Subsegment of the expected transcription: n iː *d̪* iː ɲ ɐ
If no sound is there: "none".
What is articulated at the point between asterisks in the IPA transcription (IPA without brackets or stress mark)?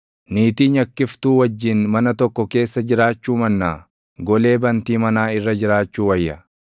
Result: t̪